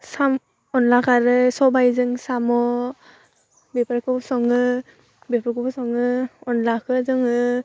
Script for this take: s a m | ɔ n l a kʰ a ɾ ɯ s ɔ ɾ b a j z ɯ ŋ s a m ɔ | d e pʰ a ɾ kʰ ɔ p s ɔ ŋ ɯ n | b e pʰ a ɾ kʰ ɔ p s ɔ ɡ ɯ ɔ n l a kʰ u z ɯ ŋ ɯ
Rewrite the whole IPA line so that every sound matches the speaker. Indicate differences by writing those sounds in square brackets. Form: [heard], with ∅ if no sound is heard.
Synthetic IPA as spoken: s a m | ɔ n l a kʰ a ɾ ɯ s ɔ [∅] b a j z ɯ ŋ s a m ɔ | [b] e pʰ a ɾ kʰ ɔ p s ɔ ŋ ɯ [∅] | b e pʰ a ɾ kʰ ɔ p s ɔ [ŋ] ɯ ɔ n l a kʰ [ɯ] z ɯ ŋ ɯ